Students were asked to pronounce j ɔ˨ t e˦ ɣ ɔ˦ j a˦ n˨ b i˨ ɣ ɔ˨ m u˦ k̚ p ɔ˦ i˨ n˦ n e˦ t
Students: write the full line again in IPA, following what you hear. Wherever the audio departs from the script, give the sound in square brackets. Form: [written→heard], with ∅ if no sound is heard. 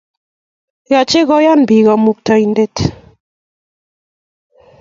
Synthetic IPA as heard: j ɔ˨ [t→t͡ʃ] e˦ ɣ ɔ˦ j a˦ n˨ b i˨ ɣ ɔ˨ m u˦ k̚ [p→t] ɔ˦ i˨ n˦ [n→d] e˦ t